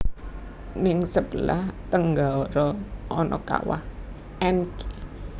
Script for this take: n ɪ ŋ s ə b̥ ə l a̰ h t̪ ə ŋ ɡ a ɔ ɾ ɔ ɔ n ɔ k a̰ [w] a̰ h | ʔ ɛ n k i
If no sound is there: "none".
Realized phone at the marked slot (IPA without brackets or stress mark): w